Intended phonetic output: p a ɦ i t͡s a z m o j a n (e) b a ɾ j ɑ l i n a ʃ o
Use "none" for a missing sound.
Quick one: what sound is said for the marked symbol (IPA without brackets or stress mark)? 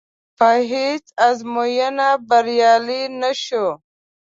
a